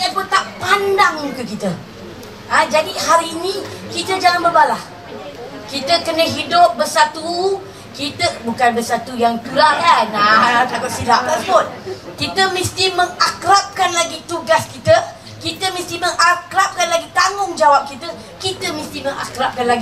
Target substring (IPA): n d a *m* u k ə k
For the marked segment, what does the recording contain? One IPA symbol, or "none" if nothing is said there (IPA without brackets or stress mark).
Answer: ŋ